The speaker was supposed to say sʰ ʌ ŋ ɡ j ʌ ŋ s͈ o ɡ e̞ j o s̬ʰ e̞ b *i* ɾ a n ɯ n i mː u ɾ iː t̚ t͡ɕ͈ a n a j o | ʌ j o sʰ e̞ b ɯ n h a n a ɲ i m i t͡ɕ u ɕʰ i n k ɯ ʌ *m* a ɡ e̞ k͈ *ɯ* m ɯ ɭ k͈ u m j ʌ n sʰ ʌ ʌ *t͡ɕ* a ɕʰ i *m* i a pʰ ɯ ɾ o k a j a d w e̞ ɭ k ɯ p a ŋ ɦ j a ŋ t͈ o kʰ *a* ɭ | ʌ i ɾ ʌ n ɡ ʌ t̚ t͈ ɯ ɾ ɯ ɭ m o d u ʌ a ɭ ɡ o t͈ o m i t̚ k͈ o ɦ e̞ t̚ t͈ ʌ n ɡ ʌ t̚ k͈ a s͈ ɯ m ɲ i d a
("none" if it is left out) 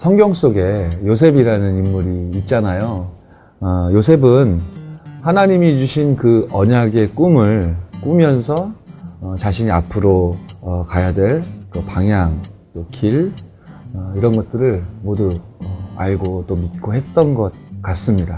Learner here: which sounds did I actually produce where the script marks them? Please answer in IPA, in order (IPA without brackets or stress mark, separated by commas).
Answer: i, ɲ, u, t͡ɕ, ɲ, i